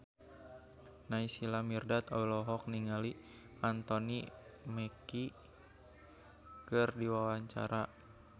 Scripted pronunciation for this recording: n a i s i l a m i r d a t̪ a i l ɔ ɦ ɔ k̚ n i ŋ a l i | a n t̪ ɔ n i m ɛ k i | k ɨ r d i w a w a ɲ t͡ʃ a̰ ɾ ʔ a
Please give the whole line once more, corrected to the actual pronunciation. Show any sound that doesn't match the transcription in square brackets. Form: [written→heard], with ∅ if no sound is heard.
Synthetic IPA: n a i s i l a m i r d a t̪ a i l ɔ ɦ ɔ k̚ n i ŋ a l i | a n t̪ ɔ n i m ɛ k i | k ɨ r d i w a w a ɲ t͡ʃ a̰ ɾ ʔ a